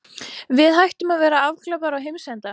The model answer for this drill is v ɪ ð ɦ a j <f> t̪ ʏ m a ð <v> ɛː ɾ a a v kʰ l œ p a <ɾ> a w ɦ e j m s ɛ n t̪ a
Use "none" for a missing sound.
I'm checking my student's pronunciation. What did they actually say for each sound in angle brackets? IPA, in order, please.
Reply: h, v, ɾ

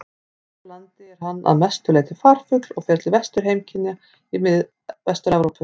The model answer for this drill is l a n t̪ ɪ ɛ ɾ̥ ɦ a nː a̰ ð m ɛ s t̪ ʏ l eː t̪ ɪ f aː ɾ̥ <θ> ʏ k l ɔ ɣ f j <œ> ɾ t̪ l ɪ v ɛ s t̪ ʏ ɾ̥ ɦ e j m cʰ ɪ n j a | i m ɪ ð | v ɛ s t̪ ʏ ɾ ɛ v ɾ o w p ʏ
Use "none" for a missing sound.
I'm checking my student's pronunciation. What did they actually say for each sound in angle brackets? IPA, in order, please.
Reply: f, ɛ

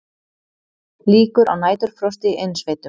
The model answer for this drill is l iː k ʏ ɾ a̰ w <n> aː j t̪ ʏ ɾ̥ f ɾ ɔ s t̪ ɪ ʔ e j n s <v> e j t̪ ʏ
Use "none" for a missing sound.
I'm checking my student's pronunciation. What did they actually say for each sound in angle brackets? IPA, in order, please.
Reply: n, v

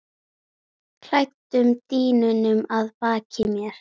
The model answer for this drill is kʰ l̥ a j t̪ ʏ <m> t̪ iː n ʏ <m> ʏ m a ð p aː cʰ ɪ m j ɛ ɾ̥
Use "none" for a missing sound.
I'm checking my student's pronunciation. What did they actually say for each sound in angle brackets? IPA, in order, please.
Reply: m, n

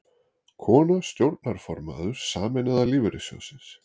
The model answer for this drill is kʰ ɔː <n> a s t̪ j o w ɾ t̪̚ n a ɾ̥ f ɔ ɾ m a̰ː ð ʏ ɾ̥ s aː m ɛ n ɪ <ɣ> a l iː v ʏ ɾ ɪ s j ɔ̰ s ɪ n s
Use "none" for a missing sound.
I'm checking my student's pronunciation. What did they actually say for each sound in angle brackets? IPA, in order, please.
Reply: n, ð

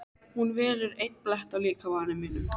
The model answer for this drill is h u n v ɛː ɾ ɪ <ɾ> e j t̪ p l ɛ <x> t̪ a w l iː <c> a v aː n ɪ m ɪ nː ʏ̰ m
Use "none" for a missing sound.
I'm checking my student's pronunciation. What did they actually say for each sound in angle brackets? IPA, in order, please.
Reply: ɾ, h, k

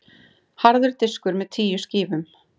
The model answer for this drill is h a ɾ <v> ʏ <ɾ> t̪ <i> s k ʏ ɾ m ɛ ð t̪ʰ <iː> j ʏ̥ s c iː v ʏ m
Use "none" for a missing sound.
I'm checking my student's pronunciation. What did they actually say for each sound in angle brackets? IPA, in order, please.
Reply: ð, ɾ, ɪ, iː

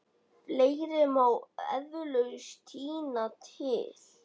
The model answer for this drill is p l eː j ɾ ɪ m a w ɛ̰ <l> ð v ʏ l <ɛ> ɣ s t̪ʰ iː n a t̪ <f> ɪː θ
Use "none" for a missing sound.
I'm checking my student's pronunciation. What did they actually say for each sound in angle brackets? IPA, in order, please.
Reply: none, œ, h

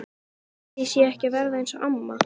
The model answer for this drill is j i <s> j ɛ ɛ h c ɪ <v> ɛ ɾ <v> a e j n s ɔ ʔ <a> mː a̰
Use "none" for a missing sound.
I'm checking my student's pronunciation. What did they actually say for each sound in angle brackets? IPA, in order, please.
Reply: s, v, ð, a

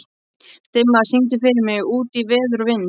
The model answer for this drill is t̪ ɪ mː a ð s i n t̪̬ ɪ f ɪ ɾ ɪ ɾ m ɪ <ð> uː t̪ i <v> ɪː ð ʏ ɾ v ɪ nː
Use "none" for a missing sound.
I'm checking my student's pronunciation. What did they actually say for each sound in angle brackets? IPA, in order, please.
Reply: ɣ, v

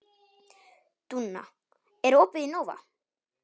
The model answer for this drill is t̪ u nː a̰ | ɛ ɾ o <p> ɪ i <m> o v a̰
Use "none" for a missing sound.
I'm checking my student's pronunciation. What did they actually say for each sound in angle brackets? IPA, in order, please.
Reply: p, n

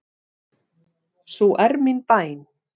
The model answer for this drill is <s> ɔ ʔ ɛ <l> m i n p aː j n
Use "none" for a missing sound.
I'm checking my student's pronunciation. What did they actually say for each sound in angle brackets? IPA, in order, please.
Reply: s, ɾ

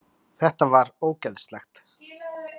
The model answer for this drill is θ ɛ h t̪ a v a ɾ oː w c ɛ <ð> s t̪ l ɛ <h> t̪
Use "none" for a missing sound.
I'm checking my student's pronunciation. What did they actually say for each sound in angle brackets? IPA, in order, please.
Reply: ð, x

